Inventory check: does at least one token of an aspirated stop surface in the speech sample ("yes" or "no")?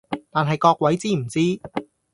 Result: no